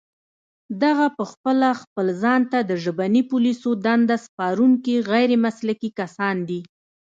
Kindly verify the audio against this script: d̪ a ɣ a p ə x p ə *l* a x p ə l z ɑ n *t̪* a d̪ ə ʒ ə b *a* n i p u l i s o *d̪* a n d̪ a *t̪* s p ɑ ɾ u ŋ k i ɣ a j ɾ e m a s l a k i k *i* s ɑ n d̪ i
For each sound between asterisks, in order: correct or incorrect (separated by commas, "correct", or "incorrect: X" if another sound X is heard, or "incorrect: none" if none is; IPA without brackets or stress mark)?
correct, correct, correct, correct, incorrect: none, incorrect: a